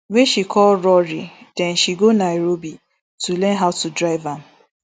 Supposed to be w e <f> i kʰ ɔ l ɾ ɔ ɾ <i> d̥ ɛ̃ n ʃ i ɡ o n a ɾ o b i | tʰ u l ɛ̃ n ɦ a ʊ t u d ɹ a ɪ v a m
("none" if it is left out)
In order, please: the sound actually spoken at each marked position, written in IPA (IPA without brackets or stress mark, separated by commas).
ʃ, i